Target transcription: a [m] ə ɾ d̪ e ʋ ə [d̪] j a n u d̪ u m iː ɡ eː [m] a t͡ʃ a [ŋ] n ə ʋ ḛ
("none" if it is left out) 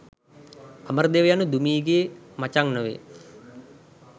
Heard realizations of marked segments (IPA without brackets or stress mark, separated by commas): m, none, m, ŋ